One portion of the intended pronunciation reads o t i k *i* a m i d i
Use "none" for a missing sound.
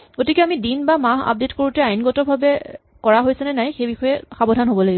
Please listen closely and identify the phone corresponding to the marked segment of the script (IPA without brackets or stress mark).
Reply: ɛ